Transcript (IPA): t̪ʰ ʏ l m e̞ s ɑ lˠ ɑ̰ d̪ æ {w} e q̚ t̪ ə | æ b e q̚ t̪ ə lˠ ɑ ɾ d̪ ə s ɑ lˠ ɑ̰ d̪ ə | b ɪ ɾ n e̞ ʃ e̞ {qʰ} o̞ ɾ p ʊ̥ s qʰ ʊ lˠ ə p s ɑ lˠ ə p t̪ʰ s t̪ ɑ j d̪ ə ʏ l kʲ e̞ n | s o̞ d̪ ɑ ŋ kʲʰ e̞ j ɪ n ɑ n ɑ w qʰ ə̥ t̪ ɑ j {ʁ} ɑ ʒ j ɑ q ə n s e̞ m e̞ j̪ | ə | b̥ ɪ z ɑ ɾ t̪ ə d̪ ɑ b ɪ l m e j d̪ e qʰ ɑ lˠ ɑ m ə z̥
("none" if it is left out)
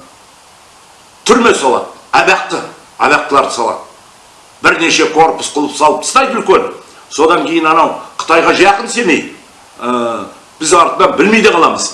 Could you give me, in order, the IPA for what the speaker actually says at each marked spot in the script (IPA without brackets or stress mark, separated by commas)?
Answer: b, kʰ, ʁ